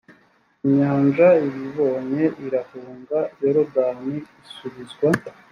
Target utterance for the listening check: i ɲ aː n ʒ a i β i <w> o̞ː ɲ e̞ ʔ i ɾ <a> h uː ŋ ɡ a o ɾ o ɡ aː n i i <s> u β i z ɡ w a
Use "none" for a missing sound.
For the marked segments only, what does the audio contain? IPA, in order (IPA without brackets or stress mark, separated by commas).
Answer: β, a, s